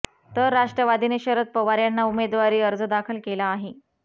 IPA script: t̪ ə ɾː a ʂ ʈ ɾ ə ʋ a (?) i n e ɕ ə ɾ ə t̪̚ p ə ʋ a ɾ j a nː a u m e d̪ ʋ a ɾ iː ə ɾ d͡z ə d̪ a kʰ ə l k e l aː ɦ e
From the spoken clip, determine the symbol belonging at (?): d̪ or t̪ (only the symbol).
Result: d̪